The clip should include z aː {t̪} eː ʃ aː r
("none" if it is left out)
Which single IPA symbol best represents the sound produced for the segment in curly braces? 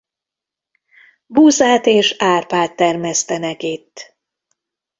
t̪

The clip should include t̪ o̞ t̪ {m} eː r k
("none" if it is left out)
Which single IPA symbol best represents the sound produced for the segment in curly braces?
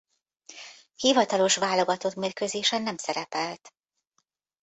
m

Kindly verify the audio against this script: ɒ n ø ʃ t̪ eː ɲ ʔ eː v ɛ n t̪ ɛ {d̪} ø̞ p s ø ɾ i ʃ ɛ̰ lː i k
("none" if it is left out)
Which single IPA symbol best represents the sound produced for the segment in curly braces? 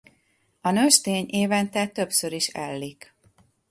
t̪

